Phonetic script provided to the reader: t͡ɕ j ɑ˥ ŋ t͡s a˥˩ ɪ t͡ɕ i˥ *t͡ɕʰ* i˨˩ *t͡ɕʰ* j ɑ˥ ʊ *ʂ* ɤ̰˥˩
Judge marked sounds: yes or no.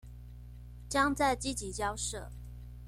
no, no, yes

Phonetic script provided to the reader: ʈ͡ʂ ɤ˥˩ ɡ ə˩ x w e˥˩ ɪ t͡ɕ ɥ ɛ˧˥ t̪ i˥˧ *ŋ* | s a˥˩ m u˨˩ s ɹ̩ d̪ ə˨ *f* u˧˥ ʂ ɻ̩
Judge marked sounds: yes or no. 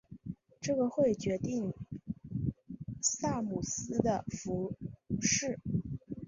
yes, yes

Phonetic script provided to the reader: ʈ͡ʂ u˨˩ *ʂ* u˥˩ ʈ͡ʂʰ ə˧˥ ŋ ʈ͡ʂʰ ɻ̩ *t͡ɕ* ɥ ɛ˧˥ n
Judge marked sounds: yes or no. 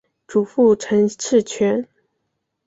no, no

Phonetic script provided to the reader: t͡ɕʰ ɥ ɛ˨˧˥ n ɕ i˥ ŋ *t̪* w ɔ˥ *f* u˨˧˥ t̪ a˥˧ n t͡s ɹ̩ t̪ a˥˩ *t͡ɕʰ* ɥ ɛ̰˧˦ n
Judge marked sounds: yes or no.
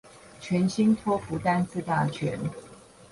no, yes, yes

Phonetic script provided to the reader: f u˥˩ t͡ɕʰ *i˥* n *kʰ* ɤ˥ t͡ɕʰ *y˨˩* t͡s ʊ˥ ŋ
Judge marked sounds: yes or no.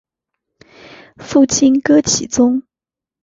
yes, no, no

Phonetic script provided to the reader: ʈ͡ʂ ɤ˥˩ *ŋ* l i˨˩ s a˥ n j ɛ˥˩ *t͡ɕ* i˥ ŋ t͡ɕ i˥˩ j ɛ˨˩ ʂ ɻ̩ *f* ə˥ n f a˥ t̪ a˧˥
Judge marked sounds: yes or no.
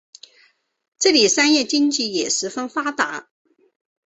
no, yes, yes

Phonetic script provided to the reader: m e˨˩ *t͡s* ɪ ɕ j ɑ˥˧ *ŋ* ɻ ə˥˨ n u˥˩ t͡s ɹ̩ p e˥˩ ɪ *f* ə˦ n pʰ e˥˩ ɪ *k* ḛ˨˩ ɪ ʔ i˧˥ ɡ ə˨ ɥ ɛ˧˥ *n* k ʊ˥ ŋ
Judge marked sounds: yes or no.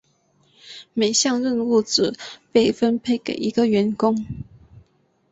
no, yes, yes, yes, yes

